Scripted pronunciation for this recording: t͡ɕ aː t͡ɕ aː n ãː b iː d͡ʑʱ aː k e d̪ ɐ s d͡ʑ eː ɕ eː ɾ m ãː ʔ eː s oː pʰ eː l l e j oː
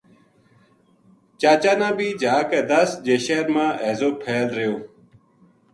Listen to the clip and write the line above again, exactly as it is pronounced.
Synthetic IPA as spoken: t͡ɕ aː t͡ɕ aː n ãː b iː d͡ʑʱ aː k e d̪ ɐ s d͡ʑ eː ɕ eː ɾ m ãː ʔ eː z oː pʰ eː l ɾ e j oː